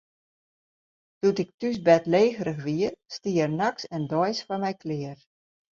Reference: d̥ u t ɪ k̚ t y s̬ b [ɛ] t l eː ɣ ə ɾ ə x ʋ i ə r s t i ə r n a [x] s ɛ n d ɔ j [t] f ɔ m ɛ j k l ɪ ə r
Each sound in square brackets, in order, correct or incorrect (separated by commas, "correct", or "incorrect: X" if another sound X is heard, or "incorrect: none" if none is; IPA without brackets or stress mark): correct, incorrect: k, incorrect: s